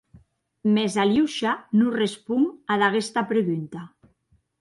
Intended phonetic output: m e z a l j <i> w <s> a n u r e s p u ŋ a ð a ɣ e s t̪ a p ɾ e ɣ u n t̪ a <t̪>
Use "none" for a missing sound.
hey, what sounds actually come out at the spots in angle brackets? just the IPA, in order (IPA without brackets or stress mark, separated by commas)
i, ʃ, none